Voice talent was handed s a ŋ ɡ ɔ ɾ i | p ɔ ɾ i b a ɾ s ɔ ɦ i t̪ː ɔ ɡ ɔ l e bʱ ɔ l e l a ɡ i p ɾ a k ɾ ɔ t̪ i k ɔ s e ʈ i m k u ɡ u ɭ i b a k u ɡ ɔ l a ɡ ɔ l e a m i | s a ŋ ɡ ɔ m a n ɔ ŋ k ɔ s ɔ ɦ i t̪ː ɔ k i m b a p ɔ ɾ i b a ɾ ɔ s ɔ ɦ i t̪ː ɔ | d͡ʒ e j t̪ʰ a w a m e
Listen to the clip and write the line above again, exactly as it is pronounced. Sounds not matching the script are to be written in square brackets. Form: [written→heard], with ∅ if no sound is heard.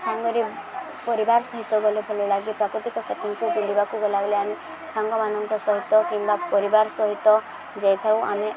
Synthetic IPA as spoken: s a ŋ ɡ ɔ ɾ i | p ɔ ɾ i b a ɾ s ɔ ɦ i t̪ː ɔ ɡ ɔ l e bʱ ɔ l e l a ɡ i p ɾ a k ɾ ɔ t̪ i k ɔ s e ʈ i [m→ŋ] k u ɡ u [ɭ→l] i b a k u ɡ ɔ l a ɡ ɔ l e a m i | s a ŋ ɡ ɔ m a n ɔ ŋ k ɔ s ɔ ɦ i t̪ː ɔ k i m b a p ɔ ɾ i b a ɾ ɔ s ɔ ɦ i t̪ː ɔ | d͡ʒ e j t̪ʰ a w a m e